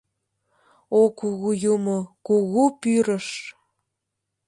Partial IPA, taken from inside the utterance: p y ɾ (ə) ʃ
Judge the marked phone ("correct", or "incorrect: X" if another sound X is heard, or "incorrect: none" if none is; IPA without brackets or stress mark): correct